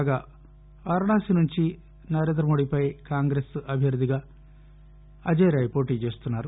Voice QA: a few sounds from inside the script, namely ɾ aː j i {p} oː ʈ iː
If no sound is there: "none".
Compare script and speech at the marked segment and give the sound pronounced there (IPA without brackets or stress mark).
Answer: p